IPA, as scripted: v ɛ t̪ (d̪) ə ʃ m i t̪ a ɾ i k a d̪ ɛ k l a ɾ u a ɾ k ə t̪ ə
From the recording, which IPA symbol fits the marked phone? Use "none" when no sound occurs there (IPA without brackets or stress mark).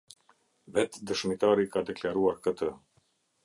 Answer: d̪